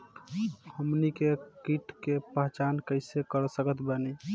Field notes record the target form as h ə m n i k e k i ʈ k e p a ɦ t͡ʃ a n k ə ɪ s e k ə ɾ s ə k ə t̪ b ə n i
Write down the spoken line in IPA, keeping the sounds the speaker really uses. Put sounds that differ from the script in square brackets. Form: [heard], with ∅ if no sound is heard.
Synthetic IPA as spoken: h ə m n i k e k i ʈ k e p [ə] ɦ t͡ʃ a n k ə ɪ s e k ə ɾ s ə k ə t̪ b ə n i